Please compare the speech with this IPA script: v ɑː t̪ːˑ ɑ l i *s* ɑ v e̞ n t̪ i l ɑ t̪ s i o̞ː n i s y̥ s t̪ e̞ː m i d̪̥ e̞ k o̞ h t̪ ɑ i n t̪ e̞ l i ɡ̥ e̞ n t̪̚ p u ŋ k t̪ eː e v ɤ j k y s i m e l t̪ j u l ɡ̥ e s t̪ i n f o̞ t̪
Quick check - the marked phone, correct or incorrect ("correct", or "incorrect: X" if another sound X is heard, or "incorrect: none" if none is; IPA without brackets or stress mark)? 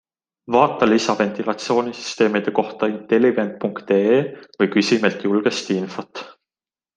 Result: correct